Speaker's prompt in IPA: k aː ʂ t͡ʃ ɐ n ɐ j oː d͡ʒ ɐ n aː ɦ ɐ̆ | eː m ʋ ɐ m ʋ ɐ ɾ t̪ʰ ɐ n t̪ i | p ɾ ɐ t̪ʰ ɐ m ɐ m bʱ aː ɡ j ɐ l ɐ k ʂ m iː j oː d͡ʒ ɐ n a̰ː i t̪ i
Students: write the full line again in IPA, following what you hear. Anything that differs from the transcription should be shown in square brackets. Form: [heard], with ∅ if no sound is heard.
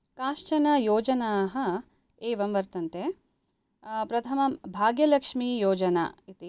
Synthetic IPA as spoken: k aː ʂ t͡ʃ ɐ n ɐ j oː d͡ʒ ɐ n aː ɦ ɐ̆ | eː [∅] ʋ ɐ m ʋ ɐ ɾ [t̪] ɐ n t̪ [e] | p ɾ ɐ t̪ʰ ɐ m ɐ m bʱ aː ɡ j ɐ l ɐ k ʂ m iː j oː d͡ʒ ɐ n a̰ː i t̪ i